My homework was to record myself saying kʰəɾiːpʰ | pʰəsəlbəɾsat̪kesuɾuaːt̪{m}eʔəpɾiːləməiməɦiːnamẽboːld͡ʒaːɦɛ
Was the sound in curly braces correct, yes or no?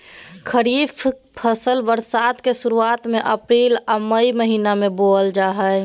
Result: yes